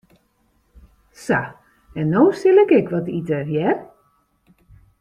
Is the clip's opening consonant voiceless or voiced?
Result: voiceless